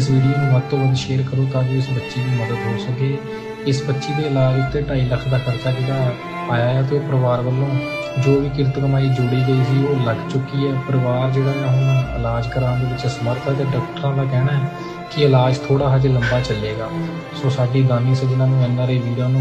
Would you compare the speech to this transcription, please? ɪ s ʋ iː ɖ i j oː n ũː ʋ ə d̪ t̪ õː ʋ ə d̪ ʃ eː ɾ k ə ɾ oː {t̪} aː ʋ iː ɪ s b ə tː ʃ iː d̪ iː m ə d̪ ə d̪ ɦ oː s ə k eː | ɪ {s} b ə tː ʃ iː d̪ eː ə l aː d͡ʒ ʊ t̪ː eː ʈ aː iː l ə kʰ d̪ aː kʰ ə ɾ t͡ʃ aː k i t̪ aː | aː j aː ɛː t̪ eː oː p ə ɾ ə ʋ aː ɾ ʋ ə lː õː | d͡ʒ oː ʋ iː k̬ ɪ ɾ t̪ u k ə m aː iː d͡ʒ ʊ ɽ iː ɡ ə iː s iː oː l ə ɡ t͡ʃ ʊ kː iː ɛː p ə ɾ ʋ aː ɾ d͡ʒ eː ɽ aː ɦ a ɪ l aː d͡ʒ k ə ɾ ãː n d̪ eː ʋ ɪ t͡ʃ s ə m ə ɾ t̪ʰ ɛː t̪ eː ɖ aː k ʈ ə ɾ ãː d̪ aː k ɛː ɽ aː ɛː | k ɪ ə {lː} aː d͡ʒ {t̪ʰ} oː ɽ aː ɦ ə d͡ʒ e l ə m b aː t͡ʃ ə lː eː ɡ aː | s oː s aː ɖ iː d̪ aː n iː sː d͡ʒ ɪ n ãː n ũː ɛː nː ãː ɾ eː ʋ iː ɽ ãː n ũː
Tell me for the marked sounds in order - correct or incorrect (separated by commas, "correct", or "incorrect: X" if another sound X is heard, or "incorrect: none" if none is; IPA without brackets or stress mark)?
correct, correct, incorrect: l, correct